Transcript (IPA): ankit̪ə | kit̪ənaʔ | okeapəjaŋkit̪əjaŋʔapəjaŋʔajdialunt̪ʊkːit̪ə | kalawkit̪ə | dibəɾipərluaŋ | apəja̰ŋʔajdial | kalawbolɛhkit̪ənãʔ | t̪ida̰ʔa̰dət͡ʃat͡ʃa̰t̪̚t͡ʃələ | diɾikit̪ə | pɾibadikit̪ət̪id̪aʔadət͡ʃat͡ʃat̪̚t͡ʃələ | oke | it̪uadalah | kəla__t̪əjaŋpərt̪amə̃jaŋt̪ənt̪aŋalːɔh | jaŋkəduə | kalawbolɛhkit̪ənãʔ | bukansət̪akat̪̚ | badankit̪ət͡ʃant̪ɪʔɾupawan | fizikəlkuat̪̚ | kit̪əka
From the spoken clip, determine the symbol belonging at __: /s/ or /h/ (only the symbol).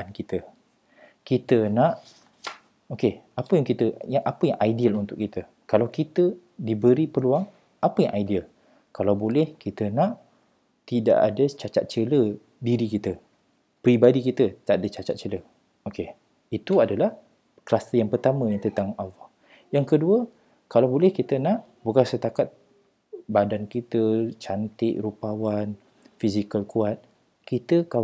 s